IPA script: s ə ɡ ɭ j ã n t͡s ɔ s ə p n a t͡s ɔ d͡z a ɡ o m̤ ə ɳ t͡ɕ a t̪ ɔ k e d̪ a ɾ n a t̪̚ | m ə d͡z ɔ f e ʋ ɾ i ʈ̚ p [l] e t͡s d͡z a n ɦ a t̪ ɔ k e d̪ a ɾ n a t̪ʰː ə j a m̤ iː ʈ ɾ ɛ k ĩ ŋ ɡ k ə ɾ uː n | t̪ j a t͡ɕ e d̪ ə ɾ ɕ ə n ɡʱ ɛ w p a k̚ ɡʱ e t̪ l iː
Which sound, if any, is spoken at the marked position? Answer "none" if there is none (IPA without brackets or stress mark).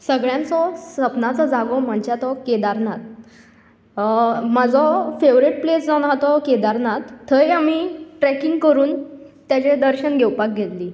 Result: l